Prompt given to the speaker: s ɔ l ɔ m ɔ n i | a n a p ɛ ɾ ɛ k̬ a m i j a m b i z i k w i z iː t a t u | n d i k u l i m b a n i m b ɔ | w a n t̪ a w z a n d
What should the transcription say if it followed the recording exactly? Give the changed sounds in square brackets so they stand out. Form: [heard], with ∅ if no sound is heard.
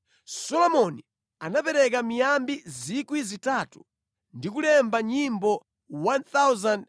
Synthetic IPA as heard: s ɔ l ɔ m ɔ n i | a n a p ɛ ɾ ɛ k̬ a m i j a m b i z i k w i z [i] t a t u | n d i k u l [ɛ] m b a [ɲ] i m b ɔ | w a n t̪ a w z a n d

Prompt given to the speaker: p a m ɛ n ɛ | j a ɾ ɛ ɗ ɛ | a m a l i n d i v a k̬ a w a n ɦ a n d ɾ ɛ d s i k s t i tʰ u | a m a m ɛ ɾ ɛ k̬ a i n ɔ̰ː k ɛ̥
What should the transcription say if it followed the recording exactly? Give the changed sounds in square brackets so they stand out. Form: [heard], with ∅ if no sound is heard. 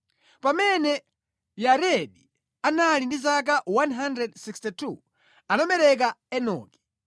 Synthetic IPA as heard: p a m ɛ n ɛ | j a ɾ ɛ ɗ [i] | a [n] a l i n d i [z] a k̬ a w a n ɦ a n d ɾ ɛ d s i k s t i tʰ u | a [n] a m ɛ ɾ ɛ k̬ a [ɛ] n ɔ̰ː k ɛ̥

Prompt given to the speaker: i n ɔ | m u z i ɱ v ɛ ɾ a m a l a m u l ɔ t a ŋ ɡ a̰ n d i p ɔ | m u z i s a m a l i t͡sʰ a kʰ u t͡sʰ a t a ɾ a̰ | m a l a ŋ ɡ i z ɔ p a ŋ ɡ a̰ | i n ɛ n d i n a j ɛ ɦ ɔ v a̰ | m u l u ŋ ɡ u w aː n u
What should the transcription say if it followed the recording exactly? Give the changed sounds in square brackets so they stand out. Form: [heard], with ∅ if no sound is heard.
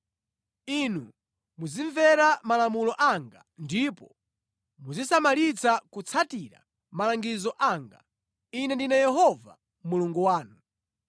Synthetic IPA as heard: i n [u] | m u z i ɱ v ɛ ɾ a m a l a m u l ɔ [ʔ] a ŋ ɡ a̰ n d i p ɔ | m u z i s a m a l i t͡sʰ a [k] u t͡sʰ a t [i] ɾ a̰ | m a l a ŋ ɡ i z ɔ [ʔ] a ŋ ɡ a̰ | i n ɛ n d i n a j ɛ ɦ ɔ v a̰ | m u l u ŋ ɡ u w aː n u

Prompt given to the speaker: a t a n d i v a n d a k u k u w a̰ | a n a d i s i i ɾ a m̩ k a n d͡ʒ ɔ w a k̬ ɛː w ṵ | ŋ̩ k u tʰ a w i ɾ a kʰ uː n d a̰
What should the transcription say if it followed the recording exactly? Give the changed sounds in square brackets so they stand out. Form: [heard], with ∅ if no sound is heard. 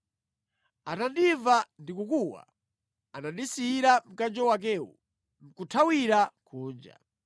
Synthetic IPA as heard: a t a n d i v a n d [i] k u k u w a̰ | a n a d i s i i ɾ a m̩ k a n d͡ʒ ɔ w a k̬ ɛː w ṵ | [m̩] k u tʰ a w i ɾ a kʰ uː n [d͡ʒ] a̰

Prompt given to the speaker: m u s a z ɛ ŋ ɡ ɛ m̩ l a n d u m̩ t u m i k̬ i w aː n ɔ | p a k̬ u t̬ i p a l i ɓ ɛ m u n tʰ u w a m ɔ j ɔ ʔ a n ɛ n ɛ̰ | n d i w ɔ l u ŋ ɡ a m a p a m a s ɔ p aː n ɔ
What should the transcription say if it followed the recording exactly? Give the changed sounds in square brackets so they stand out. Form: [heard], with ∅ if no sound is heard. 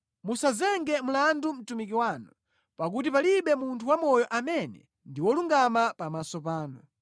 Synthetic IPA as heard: m u s a z ɛ ŋ ɡ ɛ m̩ l a n d u m̩ t u m i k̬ i w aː n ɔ | p a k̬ u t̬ i p a l i ɓ ɛ m u n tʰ u w a m ɔ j ɔ ʔ a [m] ɛ n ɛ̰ | n d i w ɔ l u ŋ ɡ a m a p a m a s ɔ p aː n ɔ

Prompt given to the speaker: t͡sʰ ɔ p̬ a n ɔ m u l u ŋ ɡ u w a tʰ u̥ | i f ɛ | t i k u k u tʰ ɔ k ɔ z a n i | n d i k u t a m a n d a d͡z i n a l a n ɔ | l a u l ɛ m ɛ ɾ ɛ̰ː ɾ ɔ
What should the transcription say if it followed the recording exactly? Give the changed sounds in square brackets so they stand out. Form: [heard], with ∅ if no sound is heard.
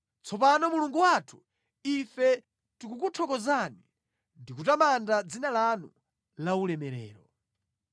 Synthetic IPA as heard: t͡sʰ ɔ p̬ a n ɔ m u l u ŋ ɡ u w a tʰ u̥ | i f ɛ | t i k u k u tʰ ɔ k ɔ z a n i | n d i k u t a m a n d a d͡z i n a l a n [u] | l a u l ɛ m ɛ ɾ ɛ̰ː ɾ ɔ

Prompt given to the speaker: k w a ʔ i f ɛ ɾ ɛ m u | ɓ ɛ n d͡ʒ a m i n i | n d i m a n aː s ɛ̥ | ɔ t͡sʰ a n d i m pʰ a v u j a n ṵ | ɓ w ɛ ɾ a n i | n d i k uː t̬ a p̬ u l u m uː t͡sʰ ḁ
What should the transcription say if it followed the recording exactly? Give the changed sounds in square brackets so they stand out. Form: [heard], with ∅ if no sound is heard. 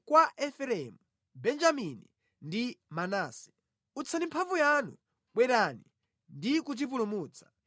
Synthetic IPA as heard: k w a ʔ [ɛ] f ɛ ɾ ɛ m u | [b] ɛ n d͡ʒ a m i n i | n d i m a n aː s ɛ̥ | [u] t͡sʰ a n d i m pʰ a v u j a n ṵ | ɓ w ɛ ɾ a n i | n d i k [u] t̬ [i] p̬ u l u m uː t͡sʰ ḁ

